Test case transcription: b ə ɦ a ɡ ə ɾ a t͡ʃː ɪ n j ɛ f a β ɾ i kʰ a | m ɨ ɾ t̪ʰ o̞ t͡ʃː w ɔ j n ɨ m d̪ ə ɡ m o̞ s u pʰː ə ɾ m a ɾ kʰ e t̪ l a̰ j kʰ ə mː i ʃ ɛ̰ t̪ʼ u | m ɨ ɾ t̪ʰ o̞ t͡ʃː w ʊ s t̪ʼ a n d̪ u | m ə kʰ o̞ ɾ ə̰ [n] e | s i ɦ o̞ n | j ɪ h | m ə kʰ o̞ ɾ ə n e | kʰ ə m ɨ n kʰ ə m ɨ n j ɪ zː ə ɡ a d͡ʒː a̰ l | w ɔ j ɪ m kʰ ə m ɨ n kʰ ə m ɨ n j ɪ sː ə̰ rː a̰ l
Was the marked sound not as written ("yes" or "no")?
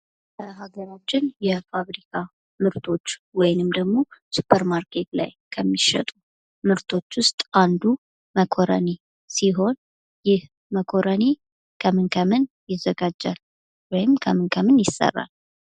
no